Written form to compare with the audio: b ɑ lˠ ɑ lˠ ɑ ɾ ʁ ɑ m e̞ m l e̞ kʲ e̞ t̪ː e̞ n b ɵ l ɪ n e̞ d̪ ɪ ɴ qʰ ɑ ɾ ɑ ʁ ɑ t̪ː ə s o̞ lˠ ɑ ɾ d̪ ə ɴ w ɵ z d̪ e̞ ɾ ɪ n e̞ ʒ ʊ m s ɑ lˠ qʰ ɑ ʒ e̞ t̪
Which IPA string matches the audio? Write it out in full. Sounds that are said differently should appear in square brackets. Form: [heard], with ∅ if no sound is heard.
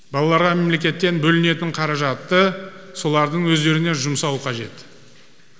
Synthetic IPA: b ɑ lˠ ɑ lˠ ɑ ɾ ʁ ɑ m e̞ m l e̞ kʲ e̞ t̪ː e̞ n b ɵ l ɪ n e̞ [t̪] ɪ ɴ qʰ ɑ ɾ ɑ [ʒ] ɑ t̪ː ə s o̞ lˠ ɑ ɾ d̪ ə ɴ w ɵ z d̪ e̞ ɾ ɪ n e̞ ʒ ʊ m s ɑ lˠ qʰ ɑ ʒ e̞ t̪